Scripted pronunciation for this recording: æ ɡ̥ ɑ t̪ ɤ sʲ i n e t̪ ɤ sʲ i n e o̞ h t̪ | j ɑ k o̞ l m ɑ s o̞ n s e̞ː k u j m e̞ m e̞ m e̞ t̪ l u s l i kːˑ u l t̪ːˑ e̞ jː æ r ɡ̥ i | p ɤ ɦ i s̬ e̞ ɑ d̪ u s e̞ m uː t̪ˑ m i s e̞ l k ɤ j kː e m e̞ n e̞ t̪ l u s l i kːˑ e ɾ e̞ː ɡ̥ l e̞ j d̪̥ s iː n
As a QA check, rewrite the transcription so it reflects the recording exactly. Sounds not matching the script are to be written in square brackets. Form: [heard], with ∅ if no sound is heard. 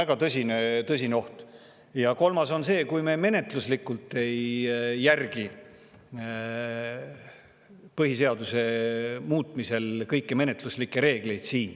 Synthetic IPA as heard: æ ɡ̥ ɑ t̪ ɤ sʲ i n e t̪ ɤ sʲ i n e o̞ h t̪ | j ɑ k o̞ l m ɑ s o̞ n s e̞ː k u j m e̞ m e̞ [n] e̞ t̪ l u s l i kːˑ u l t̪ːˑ e̞ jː æ r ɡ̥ i | p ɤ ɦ i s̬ e̞ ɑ d̪ u s e̞ m uː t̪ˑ m i s e̞ l k ɤ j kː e m e̞ n e̞ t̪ l u s l i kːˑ e ɾ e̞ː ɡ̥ l e̞ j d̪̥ s iː n